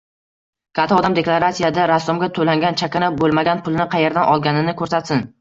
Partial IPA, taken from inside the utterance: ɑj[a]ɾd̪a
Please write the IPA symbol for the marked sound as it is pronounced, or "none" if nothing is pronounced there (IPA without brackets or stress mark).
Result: e